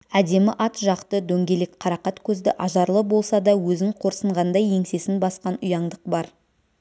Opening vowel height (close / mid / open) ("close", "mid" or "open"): open